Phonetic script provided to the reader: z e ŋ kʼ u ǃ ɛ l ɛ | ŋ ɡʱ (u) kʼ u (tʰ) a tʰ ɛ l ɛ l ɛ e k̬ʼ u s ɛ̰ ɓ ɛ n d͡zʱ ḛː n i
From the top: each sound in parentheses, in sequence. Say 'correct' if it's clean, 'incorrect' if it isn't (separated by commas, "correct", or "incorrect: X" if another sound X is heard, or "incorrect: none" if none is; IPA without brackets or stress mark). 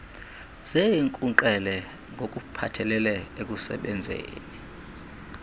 incorrect: o, incorrect: pʰ